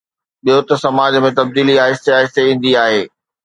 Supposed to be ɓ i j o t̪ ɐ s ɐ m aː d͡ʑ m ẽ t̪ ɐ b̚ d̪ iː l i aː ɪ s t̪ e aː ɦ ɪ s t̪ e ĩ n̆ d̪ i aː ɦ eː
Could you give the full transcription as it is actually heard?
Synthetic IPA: ɓ i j o t̪ ɐ s ɐ m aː d͡ʑ m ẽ t̪ ɐ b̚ d̪ iː l i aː ɪ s t̪ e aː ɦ ɪ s t̪ e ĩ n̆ d̪ i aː ɦ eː